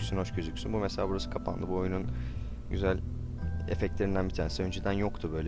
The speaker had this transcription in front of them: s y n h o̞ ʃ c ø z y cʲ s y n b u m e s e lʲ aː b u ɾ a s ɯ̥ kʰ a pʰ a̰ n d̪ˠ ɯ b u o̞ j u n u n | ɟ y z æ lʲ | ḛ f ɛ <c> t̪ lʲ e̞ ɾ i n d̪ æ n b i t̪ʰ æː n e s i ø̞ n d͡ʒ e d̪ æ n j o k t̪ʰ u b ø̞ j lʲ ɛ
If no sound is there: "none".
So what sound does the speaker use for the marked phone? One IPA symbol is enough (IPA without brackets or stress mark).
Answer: c